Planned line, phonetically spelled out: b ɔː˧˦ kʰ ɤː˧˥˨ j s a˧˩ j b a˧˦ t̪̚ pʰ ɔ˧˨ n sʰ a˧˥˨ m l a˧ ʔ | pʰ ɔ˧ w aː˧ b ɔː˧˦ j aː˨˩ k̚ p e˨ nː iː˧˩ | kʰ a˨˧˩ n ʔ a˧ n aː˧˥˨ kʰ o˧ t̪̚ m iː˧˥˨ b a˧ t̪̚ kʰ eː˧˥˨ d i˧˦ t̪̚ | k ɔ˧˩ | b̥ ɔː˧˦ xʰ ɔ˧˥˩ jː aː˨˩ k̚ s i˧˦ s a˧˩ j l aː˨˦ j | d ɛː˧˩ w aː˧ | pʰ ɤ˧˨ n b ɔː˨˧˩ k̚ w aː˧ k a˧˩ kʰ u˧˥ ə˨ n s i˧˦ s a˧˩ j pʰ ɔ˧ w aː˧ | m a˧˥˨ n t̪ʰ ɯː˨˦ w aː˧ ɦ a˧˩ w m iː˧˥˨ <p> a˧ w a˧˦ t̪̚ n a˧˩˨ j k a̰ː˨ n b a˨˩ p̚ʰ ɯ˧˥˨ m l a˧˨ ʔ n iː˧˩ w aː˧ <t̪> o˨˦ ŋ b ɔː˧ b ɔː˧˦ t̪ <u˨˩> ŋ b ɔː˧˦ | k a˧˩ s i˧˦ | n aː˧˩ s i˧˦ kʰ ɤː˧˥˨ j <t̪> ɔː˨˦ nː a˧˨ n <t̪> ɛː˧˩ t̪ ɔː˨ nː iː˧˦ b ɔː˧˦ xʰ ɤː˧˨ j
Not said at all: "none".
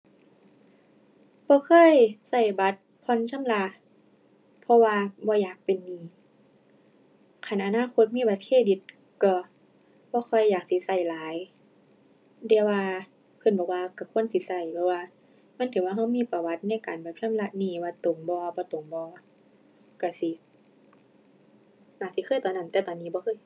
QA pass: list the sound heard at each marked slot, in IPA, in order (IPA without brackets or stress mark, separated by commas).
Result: p, t̪, o˨˩, t̪, t̪